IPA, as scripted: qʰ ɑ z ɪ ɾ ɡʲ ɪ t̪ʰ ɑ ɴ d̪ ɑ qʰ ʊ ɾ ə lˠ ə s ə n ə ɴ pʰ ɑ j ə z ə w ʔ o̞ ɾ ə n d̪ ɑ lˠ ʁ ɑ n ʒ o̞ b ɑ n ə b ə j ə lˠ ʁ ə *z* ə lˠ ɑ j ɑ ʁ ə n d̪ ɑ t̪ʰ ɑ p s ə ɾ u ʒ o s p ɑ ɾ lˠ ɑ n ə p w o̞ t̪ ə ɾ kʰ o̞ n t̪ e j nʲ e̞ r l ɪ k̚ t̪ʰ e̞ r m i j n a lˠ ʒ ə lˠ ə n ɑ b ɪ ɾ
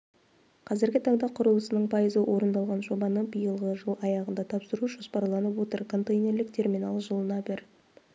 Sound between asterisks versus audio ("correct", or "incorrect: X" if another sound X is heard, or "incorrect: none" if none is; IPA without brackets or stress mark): incorrect: ʒ